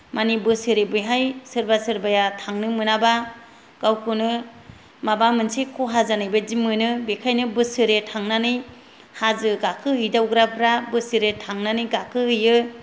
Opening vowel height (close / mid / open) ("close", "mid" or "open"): open